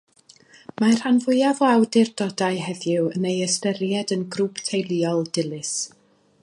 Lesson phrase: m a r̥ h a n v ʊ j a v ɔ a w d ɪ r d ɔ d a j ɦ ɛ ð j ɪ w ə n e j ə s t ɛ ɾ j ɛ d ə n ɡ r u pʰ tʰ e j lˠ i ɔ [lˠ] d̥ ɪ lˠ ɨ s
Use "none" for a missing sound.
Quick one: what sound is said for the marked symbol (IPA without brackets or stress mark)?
lˠ